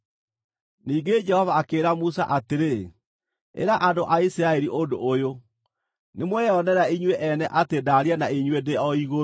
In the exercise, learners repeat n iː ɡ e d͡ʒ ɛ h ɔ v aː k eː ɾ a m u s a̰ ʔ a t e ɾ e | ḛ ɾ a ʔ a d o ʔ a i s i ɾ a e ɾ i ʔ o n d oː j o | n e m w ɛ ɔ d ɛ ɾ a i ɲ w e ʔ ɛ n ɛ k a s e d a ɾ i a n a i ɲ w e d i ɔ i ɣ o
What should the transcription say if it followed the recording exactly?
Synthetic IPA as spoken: n iː ɡ e d͡ʒ ɛ h ɔ v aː k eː ɾ a m u s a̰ ʔ a t e ɾ e | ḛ ɾ a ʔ a d o ʔ a i s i ɾ a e ɾ i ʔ o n d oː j o | n e m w ɛ ɔ n ɛ ɾ a i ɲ w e ʔ ɛ n ɛ ʔ a t e d a ɾ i a n a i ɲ w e d e ɔ i ɣ o